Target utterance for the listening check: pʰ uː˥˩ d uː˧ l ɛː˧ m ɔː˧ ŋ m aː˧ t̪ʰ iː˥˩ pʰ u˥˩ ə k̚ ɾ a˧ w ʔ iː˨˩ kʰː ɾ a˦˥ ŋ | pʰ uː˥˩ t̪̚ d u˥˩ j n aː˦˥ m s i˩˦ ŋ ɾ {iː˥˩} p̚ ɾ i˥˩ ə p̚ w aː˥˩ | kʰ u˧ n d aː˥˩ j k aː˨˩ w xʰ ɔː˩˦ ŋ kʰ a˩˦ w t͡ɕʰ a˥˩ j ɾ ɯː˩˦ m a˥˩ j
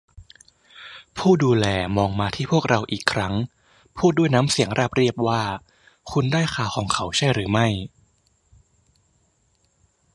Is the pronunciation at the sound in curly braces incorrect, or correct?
incorrect: aː˥˩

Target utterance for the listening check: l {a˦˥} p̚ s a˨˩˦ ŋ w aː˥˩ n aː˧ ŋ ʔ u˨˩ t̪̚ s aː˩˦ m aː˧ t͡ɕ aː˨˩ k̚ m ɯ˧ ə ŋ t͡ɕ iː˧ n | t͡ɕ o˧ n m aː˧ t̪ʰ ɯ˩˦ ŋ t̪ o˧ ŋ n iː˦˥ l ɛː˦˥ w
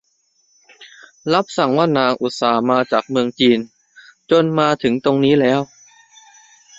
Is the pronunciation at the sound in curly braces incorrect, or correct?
correct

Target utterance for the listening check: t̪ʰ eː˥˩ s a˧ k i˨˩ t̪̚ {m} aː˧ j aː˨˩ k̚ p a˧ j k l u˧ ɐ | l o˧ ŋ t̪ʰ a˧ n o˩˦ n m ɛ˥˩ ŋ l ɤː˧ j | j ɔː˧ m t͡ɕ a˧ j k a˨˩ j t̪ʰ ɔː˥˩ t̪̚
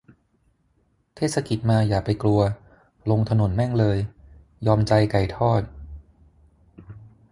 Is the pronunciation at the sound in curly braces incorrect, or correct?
correct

